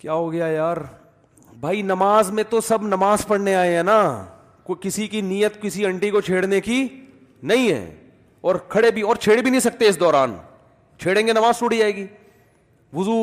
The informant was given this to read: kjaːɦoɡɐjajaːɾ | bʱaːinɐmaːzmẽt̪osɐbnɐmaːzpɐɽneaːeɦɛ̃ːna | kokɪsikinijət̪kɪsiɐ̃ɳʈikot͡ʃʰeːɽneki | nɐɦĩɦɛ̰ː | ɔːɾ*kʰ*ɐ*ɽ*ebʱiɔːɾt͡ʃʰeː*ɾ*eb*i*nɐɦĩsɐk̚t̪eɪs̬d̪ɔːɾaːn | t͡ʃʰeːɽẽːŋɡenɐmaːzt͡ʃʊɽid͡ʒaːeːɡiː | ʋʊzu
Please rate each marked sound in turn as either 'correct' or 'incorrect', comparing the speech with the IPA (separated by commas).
correct, correct, incorrect, correct